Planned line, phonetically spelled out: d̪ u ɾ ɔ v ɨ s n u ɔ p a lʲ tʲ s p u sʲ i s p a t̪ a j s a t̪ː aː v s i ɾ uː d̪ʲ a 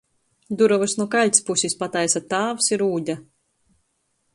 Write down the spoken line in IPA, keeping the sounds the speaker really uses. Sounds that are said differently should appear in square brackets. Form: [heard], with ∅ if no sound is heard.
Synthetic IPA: d̪ u ɾ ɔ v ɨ s n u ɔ [k] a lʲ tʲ s p u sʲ i s p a t̪ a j s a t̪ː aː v s i ɾ uː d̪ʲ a